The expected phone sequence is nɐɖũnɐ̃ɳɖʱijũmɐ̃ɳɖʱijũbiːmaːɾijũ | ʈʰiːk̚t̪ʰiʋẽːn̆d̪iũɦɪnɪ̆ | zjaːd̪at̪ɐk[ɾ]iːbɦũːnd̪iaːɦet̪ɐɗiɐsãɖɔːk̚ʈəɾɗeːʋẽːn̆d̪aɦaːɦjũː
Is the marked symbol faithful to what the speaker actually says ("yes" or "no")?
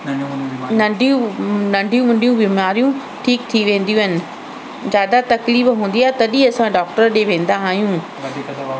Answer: no